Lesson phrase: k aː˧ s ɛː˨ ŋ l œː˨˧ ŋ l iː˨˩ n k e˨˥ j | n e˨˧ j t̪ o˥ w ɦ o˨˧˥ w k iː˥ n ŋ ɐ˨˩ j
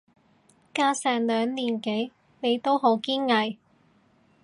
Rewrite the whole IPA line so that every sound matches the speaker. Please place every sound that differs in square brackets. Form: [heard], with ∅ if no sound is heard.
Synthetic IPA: k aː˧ s ɛː˨ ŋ l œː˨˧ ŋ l iː˨˩ n k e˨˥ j | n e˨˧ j t̪ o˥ w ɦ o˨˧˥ w k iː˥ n ŋ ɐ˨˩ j